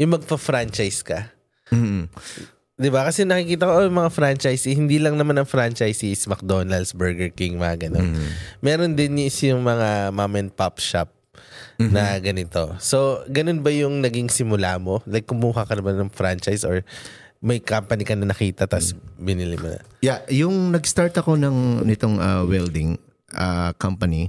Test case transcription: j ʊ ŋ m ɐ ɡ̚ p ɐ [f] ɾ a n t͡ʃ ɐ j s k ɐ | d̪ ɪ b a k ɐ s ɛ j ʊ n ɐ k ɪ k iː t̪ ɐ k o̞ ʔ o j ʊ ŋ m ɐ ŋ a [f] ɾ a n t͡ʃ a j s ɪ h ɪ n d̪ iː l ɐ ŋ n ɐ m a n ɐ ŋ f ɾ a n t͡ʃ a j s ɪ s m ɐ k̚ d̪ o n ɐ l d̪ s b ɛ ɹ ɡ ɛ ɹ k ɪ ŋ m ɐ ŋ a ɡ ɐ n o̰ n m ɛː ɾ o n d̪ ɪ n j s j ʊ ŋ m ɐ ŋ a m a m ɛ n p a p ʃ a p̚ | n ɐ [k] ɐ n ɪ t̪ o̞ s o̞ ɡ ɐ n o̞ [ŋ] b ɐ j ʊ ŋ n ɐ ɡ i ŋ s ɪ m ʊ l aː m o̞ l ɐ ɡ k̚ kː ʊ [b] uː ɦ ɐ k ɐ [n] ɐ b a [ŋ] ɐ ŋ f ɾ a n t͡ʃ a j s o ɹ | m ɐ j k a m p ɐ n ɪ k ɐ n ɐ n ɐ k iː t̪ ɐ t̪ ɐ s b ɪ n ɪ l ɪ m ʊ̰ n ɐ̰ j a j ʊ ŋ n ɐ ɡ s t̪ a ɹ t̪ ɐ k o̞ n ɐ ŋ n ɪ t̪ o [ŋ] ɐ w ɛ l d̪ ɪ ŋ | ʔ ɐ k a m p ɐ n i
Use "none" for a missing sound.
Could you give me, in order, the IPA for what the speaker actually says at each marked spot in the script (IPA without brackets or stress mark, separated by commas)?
f, f, ɡ, n, m, n, n, ŋ